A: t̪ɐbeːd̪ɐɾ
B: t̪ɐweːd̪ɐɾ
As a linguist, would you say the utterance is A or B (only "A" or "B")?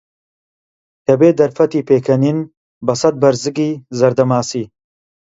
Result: A